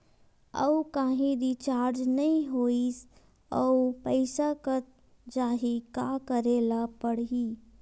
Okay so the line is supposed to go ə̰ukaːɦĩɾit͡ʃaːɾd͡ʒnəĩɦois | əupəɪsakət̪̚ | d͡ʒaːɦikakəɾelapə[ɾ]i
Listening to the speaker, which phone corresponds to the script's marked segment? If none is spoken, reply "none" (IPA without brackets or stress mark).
ɽ